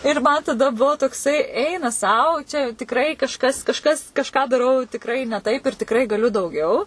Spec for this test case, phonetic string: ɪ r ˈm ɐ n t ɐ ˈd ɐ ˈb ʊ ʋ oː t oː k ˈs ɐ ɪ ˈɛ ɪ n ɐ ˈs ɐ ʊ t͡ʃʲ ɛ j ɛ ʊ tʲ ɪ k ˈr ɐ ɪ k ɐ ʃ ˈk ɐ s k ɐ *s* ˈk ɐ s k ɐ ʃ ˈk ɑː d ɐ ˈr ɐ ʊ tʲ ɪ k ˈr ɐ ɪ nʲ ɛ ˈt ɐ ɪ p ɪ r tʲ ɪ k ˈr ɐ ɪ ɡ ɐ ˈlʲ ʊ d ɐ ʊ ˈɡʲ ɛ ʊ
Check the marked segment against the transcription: incorrect: ʃ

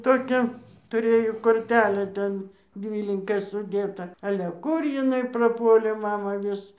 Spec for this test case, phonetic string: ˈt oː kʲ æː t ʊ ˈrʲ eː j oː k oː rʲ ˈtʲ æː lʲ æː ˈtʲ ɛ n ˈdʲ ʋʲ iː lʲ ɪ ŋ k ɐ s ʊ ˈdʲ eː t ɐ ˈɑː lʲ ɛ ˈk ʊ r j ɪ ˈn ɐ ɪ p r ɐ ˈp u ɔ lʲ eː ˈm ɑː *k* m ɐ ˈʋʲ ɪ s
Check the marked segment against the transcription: incorrect: none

